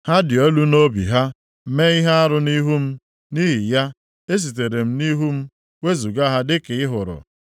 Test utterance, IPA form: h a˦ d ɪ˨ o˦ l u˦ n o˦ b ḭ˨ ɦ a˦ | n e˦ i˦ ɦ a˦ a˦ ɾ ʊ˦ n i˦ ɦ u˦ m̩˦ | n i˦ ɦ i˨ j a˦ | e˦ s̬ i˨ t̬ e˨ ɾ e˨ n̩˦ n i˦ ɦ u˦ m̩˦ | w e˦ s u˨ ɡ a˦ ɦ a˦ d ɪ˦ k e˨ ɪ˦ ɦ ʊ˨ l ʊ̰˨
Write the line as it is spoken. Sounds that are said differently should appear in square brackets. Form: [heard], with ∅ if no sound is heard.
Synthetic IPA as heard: h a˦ d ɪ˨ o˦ l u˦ n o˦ b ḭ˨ ɦ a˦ | [m] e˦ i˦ ɦ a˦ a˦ ɾ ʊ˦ n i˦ ɦ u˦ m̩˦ | n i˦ ɦ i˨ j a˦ | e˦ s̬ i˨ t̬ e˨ ɾ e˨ [m̩˦] n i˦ ɦ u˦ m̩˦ | w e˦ [z] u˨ ɡ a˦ ɦ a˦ d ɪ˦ k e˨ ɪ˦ ɦ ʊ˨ [ɾ] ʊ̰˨

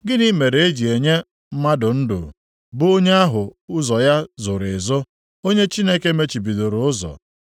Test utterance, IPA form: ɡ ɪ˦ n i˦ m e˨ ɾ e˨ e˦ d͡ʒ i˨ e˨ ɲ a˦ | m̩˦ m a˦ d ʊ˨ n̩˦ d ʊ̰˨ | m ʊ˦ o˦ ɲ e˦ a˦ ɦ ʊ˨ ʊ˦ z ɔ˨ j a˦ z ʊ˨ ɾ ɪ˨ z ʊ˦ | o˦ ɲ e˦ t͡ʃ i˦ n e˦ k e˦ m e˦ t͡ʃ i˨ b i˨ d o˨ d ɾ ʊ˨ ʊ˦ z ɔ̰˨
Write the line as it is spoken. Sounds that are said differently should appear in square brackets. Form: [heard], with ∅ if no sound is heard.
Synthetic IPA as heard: ɡ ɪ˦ n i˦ m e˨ ɾ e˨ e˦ d͡ʒ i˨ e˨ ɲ [e˦] | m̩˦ m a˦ d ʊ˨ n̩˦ d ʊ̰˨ | [b] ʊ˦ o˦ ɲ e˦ a˦ ɦ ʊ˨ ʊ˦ z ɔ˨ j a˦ z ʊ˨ ɾ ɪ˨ z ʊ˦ | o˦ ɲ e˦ t͡ʃ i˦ n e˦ k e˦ m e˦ t͡ʃ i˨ b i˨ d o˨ [∅] ɾ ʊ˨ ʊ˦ z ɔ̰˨

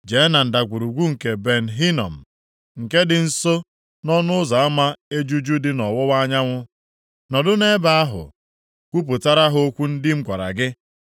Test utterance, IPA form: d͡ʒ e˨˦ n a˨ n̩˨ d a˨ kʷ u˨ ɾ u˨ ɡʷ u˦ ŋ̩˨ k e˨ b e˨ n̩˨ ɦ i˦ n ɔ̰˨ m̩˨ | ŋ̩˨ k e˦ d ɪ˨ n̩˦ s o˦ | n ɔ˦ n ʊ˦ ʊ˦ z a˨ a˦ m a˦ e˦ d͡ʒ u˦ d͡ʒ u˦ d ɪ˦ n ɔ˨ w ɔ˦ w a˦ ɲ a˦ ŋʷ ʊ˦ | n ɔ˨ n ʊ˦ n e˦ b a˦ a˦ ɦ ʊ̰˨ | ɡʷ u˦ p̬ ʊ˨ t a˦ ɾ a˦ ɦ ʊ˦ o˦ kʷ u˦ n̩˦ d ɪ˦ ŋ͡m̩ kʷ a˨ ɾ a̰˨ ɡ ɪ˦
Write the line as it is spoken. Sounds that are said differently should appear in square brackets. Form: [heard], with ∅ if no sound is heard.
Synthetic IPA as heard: d͡ʒ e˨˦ n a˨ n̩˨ d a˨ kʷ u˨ ɾ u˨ ɡʷ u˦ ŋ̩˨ k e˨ b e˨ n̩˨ ɦ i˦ n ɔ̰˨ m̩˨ | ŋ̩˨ k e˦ d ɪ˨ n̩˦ s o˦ | n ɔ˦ n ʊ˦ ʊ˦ z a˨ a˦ m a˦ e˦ d͡ʒ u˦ d͡ʒ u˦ d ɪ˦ n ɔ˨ w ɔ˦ w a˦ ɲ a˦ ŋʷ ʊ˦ | n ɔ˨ [d] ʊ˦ n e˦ b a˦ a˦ ɦ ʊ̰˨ | [kʷ] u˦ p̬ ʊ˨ t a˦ ɾ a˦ ɦ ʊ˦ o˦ kʷ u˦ n̩˦ d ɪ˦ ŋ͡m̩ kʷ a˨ ɾ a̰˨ ɡ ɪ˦

